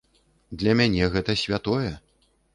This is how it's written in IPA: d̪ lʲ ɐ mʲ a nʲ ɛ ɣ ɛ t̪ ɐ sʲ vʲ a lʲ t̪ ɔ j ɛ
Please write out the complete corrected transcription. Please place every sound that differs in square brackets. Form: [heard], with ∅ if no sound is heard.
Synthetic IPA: d̪ lʲ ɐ mʲ a nʲ ɛ ɣ ɛ t̪ ɐ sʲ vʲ a [∅] t̪ ɔ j ɛ